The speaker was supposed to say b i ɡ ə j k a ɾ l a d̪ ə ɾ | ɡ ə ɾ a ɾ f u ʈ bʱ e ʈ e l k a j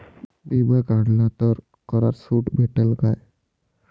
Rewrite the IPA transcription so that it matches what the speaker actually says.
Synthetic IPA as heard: b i b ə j k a ɽ l a t̪ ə ɾ | k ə ɾ a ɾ s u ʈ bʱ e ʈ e l k a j